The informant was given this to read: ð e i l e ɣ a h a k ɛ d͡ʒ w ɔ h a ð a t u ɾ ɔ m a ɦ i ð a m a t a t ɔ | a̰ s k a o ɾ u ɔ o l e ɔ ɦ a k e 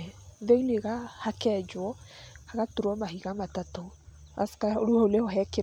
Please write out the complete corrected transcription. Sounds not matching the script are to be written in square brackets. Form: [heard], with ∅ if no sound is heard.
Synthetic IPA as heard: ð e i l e ɣ a h a k ɛ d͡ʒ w ɔ h a [ɣ] a t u ɾ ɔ m a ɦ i [ɣ] a m a t a t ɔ | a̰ s k a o ɾ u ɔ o l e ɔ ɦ [ɛ] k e